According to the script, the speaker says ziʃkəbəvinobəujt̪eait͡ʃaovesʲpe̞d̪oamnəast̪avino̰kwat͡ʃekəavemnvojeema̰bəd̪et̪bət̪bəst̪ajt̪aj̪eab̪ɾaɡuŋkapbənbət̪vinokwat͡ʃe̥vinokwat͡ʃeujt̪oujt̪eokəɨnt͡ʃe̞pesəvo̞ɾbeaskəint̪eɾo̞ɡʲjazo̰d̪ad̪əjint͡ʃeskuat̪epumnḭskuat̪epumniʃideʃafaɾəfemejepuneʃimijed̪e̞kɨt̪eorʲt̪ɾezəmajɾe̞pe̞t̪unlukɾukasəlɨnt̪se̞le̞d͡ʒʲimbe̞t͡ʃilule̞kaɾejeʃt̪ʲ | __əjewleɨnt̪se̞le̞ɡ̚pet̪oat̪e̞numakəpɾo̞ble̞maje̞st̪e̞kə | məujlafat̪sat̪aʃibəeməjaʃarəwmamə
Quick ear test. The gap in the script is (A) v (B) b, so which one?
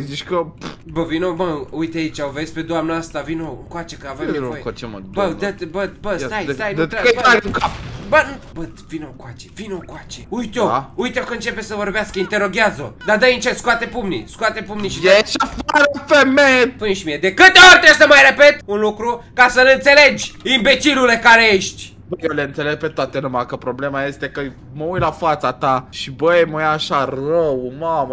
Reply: B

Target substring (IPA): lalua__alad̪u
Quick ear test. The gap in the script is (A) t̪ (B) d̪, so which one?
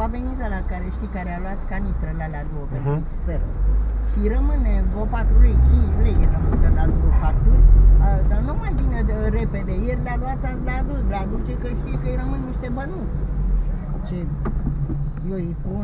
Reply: A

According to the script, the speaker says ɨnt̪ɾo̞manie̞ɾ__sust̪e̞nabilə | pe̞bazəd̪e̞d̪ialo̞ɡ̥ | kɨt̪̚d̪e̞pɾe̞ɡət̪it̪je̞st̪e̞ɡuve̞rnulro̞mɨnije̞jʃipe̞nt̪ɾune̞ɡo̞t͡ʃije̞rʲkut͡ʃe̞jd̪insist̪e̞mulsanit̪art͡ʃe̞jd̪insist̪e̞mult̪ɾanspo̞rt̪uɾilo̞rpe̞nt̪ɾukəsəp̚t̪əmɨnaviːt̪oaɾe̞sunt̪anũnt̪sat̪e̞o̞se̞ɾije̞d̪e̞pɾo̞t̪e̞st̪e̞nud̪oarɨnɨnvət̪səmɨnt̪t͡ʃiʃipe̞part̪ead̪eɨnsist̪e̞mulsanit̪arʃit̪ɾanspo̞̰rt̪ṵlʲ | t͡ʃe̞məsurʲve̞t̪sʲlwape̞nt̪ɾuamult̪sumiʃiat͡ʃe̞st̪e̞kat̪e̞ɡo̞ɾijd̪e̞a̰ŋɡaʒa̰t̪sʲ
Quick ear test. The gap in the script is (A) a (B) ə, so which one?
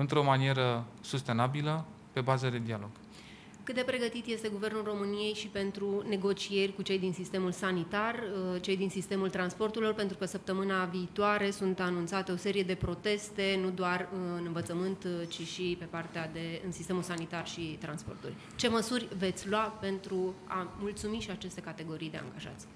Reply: B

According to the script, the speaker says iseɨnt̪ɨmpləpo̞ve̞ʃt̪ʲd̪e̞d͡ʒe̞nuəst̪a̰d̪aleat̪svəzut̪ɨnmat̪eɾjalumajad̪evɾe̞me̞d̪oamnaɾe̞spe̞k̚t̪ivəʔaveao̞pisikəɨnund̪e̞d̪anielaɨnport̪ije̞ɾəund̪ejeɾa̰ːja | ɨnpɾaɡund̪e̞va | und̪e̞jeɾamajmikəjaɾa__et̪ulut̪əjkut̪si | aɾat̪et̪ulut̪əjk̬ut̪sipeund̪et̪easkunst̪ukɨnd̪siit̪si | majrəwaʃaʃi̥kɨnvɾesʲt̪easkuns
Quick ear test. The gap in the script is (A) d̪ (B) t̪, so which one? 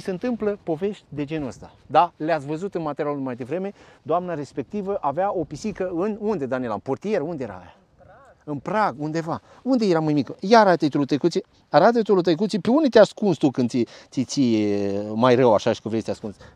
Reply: B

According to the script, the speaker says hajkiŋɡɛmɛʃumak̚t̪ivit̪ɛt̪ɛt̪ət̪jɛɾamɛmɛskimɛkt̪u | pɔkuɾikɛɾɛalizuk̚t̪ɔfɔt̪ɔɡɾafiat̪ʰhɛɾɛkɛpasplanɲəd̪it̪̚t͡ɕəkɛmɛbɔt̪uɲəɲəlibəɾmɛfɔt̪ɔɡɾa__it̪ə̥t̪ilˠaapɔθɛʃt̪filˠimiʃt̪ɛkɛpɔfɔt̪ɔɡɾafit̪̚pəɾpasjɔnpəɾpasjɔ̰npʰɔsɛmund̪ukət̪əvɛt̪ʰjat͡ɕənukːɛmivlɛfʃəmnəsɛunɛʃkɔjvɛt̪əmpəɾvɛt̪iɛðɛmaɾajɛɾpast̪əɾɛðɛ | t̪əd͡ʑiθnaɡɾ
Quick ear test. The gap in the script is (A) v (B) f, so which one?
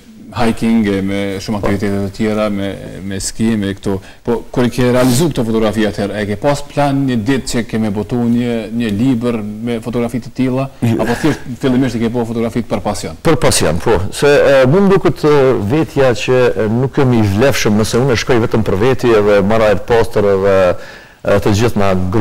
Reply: B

